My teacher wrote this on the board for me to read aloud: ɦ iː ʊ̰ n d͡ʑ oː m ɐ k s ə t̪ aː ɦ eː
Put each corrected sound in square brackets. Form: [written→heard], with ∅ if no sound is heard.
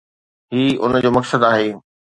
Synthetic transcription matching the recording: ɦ iː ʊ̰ n d͡ʑ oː m ɐ k s ə [t̪→d̪] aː ɦ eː